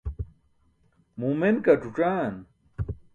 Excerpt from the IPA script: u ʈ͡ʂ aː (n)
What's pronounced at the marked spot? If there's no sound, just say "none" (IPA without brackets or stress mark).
n